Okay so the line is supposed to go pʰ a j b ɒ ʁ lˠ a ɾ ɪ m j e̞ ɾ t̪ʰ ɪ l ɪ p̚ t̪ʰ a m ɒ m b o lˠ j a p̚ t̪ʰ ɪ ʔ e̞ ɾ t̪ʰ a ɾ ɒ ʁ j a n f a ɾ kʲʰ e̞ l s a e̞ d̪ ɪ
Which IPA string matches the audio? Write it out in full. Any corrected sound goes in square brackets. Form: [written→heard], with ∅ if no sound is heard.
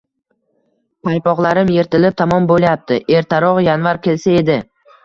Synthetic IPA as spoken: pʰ a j [b→p] ɒ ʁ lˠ a ɾ ɪ m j e̞ ɾ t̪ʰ ɪ l ɪ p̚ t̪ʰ a m ɒ m b o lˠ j a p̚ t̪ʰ ɪ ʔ e̞ ɾ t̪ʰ a ɾ ɒ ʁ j a n [f→v] a ɾ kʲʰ e̞ l s a e̞ d̪ ɪ